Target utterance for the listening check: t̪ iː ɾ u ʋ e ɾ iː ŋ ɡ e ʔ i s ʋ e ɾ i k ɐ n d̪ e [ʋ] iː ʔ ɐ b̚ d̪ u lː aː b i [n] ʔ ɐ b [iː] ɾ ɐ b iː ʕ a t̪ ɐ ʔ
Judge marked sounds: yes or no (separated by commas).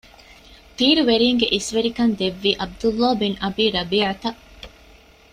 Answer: no, yes, yes